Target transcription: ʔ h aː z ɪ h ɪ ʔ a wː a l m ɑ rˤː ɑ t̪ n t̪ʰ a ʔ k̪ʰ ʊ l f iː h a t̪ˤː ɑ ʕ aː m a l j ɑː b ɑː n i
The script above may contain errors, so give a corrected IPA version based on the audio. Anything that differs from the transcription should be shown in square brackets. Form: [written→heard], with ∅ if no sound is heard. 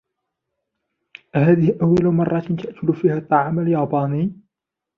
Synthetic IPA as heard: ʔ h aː [z→ð] ɪ h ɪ ʔ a wː a l m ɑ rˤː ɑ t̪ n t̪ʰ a ʔ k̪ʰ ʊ l f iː h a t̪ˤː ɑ ʕ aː m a l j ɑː b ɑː n i